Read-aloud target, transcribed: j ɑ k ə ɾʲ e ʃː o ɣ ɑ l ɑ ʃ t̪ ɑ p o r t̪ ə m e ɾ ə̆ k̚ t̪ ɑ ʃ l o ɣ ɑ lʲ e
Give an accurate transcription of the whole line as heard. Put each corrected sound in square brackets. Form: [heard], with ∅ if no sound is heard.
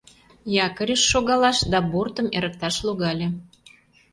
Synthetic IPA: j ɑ k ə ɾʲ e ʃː o ɣ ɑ l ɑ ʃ [d̪] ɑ [b] o r t̪ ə m e ɾ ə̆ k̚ t̪ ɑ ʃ l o ɣ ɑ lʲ e